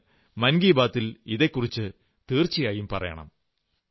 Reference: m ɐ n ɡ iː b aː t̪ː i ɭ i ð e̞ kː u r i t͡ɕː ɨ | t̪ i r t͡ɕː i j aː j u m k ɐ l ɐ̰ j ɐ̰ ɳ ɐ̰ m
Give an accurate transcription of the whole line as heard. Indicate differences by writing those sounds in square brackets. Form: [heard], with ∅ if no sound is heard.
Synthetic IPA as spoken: m ɐ n ɡ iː b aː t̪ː i [l] i ð e̞ kː u r i t͡ɕː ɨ | t̪ [iː] r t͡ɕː i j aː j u m [p] ɐ [r] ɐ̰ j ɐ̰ ɳ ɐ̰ m